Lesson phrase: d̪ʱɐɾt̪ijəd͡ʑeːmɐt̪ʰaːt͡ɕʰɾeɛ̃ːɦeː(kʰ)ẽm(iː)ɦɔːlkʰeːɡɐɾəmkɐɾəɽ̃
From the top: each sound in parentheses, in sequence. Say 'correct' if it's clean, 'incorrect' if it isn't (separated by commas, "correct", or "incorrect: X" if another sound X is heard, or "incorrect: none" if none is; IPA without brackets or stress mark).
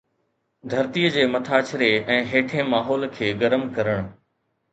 incorrect: ʈʰ, incorrect: aː